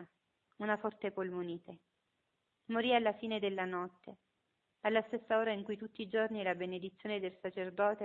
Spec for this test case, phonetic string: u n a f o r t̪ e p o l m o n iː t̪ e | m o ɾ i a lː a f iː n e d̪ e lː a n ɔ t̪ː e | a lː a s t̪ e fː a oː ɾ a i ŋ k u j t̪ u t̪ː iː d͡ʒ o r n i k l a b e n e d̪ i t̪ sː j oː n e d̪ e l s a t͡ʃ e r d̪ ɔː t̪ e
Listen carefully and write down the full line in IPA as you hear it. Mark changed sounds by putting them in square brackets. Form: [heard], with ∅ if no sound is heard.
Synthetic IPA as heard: u n a f [ɔ] r t̪ e p o l m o n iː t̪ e | m o ɾ i a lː a f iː n e d̪ e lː a n ɔ t̪ː e | a lː a s t̪ e [sː] a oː ɾ a i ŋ k u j t̪ u t̪ː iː d͡ʒ o r n i [∅] l a b e n e d̪ i t̪ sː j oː n e d̪ e l s a t͡ʃ e r d̪ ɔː t̪ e